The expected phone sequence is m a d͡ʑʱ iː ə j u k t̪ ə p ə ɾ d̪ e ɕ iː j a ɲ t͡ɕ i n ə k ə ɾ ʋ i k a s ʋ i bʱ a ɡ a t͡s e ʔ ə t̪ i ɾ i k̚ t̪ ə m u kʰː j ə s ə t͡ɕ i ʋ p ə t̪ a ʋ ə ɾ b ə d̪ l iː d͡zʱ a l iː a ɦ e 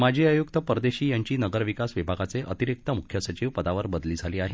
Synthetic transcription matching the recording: m a d͡ʑʱ iː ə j u k t̪ ə p ə ɾ d̪ e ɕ iː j a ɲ t͡ɕ iː n ə ɡ ə ɾ ʋ i k a s ʋ i bʱ a ɡ a t͡s e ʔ ə t̪ i ɾ i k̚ t̪ ə m u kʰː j ə s ə t͡ɕ i ʋ p ə d̪ a ʋ ə ɾ b ə d̪ l iː d͡zʱ a l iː a ɦ e